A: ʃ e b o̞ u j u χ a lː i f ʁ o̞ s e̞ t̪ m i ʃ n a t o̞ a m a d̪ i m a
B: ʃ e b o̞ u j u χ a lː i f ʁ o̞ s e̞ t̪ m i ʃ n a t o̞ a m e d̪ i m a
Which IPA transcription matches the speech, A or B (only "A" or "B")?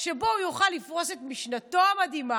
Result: A